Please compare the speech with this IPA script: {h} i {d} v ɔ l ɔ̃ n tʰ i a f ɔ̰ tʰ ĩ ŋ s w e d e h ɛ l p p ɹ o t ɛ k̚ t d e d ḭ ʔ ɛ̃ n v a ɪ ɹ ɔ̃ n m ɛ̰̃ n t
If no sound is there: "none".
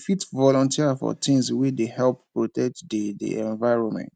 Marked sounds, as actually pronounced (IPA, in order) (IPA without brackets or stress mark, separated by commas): f, t